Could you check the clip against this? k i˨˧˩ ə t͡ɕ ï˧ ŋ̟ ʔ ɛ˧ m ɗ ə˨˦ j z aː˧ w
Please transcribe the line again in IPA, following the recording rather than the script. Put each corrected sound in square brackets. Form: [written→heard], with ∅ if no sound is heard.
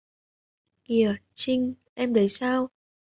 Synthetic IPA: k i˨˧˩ ə t͡ɕ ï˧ ŋ̟ ʔ ɛ˧ m ɗ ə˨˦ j [z→s] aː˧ w